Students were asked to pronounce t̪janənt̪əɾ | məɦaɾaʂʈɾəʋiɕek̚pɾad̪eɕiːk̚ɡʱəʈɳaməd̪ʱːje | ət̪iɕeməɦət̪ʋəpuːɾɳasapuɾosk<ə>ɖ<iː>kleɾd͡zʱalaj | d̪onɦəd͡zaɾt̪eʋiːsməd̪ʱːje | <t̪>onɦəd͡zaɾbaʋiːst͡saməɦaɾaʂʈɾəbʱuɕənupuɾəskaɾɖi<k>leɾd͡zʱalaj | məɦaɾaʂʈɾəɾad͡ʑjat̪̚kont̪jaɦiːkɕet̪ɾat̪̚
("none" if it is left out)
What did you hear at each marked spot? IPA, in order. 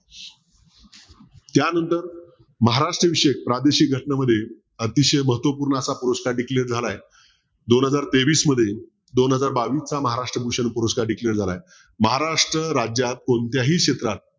a, i, d̪, k

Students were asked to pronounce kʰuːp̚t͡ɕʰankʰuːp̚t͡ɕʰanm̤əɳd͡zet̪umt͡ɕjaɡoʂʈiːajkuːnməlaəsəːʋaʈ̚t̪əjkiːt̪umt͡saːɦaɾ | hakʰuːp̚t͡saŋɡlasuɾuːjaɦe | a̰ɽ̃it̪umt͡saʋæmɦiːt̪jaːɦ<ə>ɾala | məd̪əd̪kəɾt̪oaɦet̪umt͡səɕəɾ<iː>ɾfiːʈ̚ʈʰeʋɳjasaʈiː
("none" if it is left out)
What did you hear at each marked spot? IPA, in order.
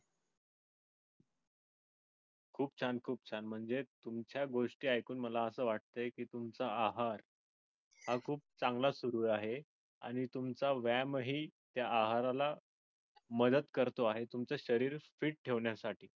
a, iː

